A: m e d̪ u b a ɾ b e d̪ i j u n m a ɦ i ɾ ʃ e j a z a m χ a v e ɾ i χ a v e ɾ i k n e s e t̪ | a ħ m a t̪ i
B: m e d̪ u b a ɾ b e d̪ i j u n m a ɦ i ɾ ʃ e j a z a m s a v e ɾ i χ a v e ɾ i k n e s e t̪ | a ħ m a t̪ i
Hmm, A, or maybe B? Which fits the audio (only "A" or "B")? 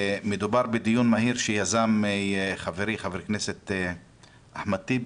A